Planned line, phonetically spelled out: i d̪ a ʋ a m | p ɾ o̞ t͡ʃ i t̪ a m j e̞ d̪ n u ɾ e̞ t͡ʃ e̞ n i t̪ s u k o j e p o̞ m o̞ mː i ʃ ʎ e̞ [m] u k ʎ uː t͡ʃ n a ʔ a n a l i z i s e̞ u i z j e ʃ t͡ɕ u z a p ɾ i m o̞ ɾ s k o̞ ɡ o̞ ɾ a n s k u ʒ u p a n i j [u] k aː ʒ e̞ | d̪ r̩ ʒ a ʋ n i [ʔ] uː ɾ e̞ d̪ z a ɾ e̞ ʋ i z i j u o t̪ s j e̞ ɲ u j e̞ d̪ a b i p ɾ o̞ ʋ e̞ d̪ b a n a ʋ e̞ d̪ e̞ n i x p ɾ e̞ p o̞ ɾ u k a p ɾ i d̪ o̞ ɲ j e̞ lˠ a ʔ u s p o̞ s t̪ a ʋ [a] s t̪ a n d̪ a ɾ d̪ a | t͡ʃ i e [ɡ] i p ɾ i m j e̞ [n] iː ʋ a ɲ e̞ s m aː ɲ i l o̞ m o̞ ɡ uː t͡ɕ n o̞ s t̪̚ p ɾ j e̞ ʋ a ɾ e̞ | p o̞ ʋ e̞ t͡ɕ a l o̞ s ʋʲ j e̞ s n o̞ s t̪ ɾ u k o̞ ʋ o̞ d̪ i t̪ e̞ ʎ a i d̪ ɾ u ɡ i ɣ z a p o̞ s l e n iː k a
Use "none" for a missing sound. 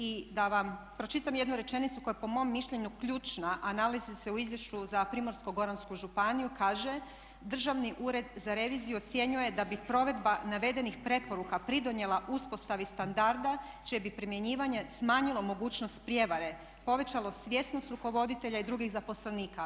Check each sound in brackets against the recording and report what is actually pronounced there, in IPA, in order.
ɲ, u, ʔ, i, b, ɲ

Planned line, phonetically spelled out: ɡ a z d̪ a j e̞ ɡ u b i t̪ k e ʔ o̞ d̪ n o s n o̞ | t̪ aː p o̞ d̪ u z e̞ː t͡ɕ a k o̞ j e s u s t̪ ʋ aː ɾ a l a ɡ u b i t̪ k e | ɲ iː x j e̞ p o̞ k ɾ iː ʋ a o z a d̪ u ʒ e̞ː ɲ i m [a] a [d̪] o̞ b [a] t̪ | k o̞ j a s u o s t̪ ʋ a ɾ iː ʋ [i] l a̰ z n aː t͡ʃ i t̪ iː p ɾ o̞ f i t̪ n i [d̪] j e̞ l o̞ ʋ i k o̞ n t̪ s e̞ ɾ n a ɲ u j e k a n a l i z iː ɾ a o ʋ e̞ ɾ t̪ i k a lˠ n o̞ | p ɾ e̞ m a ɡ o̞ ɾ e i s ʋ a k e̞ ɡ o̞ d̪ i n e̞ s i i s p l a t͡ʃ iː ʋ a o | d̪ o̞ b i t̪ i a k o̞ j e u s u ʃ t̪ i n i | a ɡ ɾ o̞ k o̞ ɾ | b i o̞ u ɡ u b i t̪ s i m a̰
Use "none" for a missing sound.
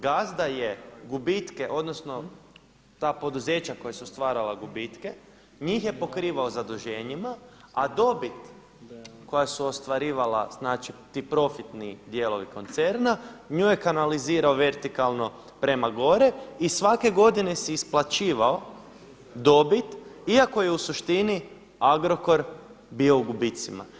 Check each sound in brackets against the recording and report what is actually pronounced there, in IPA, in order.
a, d̪, i, a, d̪

